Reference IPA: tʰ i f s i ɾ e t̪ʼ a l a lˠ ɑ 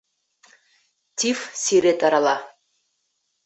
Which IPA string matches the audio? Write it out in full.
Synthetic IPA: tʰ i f s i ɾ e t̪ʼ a ɾ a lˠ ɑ